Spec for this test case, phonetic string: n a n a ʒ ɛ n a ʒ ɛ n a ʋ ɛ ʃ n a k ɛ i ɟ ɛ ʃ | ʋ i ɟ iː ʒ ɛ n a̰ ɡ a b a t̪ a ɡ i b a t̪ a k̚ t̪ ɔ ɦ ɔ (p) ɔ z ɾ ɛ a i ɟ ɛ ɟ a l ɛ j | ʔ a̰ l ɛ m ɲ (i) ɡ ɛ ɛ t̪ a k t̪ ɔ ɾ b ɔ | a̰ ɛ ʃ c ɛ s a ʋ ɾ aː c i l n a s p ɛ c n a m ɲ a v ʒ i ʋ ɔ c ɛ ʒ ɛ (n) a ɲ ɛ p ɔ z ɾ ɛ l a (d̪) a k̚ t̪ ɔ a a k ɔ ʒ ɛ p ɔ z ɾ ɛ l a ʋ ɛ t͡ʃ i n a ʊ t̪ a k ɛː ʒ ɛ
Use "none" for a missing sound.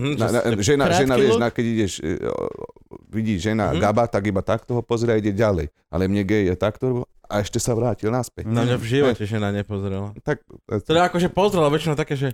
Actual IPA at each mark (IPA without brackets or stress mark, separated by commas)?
p, ɛ, n, t̪